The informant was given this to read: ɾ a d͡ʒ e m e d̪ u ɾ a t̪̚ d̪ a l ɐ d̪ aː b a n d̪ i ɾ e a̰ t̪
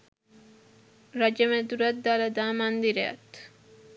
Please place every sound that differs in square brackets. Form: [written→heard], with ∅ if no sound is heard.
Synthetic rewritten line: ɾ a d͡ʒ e m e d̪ u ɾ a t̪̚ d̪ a l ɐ d̪ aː [b→m] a n d̪ i ɾ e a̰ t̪